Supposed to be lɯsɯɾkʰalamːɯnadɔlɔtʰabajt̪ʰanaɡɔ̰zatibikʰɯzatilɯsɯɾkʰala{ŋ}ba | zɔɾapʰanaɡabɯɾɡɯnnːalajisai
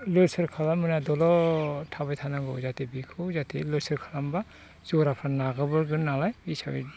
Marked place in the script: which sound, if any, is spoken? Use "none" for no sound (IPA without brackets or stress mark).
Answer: m